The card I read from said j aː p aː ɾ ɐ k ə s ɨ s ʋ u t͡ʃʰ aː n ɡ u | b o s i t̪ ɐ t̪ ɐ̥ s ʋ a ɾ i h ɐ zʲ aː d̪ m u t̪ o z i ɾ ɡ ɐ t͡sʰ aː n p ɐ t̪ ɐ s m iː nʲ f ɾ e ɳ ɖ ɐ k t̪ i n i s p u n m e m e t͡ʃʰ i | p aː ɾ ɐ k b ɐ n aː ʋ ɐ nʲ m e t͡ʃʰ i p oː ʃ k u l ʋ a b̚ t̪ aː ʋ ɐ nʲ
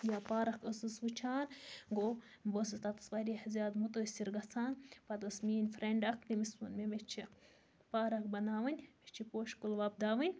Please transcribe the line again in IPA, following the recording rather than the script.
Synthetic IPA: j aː p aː ɾ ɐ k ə s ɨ s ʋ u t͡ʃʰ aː n ɡ o | b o s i t̪ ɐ t̪ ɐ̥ s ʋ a ɾ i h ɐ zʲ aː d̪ m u t̪ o s i ɾ ɡ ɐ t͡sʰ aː n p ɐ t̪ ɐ s m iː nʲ f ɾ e ɳ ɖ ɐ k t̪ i m i s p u n m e m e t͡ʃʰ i | p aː ɾ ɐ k b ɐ n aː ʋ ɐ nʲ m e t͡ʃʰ i p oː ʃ k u l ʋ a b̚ d̪ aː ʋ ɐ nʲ